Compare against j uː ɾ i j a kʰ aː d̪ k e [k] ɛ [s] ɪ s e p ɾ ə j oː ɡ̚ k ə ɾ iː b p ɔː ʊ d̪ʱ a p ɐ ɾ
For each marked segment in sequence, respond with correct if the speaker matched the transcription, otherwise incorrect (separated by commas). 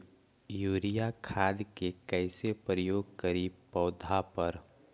correct, incorrect